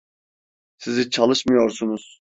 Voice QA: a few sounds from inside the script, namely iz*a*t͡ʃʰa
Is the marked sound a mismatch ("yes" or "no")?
yes